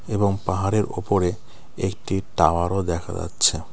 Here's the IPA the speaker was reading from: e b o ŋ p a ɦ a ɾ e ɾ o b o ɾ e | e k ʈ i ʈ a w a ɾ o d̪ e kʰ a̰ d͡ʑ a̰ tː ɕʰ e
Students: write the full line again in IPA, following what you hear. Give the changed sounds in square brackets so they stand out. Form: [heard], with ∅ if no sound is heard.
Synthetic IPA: e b o ŋ p a ɦ a ɾ e ɾ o [p] o ɾ e | e k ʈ i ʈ a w a ɾ o d̪ [ɛ] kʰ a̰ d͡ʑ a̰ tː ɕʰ e

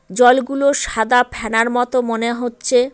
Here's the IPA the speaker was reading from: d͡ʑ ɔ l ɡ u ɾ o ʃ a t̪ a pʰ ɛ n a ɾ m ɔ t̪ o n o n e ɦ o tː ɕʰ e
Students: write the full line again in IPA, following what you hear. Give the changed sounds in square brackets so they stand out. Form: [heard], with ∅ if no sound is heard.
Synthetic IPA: d͡ʑ ɔ l ɡ u [l] o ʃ a [d̪] a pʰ ɛ n a ɾ m ɔ t̪ o [m] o n e ɦ o tː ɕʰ e

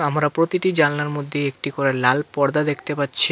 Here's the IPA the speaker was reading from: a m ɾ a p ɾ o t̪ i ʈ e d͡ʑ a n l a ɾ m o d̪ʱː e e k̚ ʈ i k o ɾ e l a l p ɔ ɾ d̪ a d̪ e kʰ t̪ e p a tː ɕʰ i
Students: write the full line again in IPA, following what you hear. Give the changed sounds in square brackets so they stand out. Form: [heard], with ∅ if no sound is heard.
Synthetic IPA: a m ɾ a p ɾ o t̪ i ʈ [i] d͡ʑ a n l a ɾ m o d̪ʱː e e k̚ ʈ i k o ɾ e l a l p ɔ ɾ d̪ a d̪ e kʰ t̪ e p a tː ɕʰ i

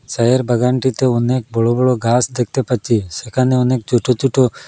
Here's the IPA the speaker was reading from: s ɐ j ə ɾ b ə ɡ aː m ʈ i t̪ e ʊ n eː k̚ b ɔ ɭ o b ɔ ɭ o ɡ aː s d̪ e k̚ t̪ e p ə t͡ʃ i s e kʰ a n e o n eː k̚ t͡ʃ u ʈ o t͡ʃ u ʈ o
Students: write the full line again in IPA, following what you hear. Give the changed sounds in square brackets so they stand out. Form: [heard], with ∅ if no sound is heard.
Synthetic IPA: s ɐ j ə ɾ b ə ɡ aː [ɳ] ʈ i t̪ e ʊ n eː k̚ b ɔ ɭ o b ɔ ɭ o ɡ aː s d̪ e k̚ t̪ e p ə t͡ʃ i s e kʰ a n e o n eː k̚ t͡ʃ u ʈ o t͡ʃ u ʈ o

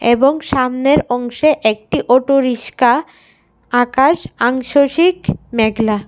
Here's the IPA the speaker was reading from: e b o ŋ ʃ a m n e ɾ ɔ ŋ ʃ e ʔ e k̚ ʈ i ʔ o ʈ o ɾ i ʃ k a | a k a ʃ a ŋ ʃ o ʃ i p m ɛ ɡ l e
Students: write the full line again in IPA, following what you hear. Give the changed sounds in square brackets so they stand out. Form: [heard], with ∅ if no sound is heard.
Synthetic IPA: e b o ŋ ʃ a m n e ɾ ɔ ŋ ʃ e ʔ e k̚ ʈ i ʔ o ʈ o ɾ i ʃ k a | a k a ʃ a ŋ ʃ o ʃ i [k] m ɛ ɡ l [a]

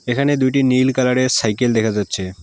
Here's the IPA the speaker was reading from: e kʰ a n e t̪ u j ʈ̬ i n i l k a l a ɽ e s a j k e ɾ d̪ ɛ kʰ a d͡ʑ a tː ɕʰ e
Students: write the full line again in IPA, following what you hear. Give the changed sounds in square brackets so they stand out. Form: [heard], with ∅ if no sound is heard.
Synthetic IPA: e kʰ a n e [d̪] u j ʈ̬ i n i l k a l a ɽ e s a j k e [l] d̪ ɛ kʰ a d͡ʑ a tː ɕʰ e

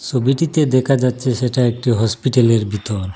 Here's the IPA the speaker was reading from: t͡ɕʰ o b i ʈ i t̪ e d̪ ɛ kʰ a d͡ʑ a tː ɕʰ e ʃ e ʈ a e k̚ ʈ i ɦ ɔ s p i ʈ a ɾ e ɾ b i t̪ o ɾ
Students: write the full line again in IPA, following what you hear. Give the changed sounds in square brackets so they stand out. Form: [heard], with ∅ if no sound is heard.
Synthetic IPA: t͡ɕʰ o b i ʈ i t̪ e d̪ ɛ kʰ a d͡ʑ a tː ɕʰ e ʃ e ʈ a e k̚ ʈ i ɦ ɔ s p i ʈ a [l] e ɾ b i t̪ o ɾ

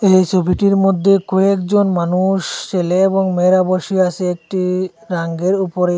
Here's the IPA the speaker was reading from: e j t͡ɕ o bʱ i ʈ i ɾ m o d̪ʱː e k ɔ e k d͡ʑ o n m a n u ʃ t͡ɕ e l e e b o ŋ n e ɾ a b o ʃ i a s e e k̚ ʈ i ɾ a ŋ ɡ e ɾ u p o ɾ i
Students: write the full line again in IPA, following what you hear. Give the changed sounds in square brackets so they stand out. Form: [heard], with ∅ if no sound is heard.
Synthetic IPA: e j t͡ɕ o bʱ i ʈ i ɾ m o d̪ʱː e k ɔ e k d͡ʑ o n m a n u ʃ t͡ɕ e l e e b o ŋ [m] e ɾ a b o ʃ i a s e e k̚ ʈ i ɾ a ŋ ɡ e ɾ u p o ɾ [e]

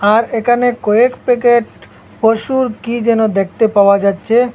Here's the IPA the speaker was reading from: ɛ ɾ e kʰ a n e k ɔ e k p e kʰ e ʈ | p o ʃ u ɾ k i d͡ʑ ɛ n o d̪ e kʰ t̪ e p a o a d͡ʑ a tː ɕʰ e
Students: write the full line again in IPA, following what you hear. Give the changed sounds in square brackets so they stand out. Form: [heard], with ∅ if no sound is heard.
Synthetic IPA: [a] ɾ e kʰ a n e k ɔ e k p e [k] e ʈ | p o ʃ u ɾ k i d͡ʑ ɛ n o d̪ e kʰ t̪ e p a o a d͡ʑ a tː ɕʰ e

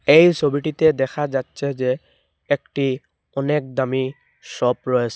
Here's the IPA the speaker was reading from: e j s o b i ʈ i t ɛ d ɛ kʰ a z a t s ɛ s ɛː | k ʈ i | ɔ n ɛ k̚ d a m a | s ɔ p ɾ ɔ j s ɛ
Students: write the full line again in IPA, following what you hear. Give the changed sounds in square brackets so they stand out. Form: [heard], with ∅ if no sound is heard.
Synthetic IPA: e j s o b i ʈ i t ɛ d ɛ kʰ a z a t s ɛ [z] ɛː | k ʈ i | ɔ n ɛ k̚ d a m [i] | s ɔ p [ɹ] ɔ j s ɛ

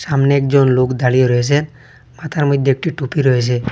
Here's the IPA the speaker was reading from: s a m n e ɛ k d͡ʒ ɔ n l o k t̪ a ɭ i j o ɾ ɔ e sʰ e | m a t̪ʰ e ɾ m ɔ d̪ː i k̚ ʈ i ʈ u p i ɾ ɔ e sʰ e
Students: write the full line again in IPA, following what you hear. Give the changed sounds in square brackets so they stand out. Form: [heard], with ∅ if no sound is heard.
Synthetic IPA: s a m n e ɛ k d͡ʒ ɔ n l o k [d̪] a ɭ i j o ɾ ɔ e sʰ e | m a t̪ʰ [a] ɾ m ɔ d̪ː [e] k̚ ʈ i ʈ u p i ɾ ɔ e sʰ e

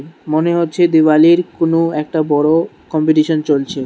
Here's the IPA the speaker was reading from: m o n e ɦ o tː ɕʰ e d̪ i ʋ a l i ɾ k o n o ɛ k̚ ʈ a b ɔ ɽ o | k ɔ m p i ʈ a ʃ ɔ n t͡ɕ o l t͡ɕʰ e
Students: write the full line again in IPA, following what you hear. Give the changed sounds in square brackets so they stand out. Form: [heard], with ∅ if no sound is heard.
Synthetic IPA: m o n e ɦ o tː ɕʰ e d̪ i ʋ a l i ɾ k o n o ɛ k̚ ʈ a b ɔ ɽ o | k ɔ m p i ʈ [i] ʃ [o] n t͡ɕ o l t͡ɕʰ e

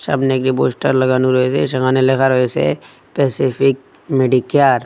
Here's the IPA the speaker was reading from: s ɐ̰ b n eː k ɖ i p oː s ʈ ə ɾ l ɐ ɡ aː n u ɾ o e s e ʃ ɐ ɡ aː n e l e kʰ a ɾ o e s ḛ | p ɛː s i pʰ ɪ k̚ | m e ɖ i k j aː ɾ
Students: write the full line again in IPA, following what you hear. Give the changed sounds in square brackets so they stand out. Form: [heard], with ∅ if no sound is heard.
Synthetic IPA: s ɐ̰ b n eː k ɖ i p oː s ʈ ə ɾ l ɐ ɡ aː n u ɾ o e s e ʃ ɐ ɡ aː n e l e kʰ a ɾ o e s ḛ | p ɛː s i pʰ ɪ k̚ | m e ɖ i k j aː ɾ

